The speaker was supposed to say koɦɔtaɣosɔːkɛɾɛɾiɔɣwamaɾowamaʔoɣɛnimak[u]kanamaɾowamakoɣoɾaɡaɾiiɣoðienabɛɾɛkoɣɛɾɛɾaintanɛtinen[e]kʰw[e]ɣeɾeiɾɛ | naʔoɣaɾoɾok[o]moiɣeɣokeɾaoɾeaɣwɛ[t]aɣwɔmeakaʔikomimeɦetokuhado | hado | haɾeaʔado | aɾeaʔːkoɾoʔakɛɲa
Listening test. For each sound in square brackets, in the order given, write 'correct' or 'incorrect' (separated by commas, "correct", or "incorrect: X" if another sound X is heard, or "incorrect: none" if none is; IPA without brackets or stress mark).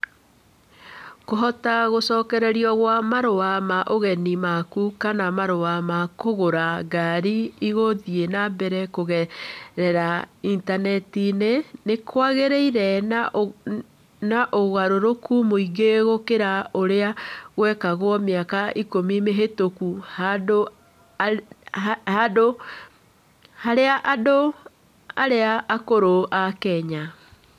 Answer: correct, correct, incorrect: a, incorrect: u, incorrect: k